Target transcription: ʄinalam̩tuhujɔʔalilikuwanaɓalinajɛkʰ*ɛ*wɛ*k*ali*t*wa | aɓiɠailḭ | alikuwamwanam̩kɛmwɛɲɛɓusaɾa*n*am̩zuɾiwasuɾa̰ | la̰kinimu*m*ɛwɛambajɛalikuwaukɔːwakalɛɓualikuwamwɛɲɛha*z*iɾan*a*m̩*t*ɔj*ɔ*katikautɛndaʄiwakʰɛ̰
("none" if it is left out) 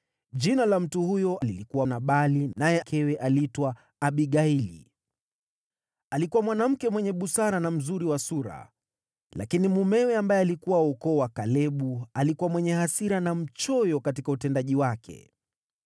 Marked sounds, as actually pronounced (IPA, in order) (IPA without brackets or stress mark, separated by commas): ɛ, ʔ, t, n, m, s, a, t͡ʃ, ɔ